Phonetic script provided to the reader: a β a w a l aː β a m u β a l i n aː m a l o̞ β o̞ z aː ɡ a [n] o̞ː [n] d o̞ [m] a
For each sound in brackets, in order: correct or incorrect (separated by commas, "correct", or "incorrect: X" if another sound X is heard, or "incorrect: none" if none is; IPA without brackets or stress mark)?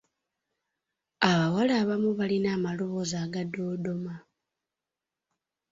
incorrect: d, incorrect: none, correct